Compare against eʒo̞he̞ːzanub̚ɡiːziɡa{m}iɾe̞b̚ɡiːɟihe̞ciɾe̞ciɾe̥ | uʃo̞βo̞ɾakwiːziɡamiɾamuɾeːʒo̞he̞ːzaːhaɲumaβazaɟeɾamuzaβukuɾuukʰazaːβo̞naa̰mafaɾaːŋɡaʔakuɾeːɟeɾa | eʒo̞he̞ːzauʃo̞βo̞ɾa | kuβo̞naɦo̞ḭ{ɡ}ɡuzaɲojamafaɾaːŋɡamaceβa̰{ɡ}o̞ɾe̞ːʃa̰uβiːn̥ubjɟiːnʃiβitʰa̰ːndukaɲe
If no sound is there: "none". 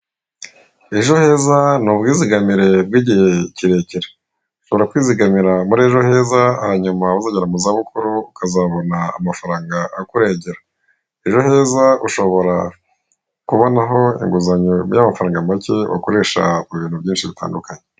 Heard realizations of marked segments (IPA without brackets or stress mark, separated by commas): m, ŋ, k